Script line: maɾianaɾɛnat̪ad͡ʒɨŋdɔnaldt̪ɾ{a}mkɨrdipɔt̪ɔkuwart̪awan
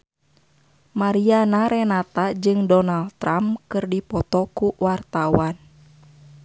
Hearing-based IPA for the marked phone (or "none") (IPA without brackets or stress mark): a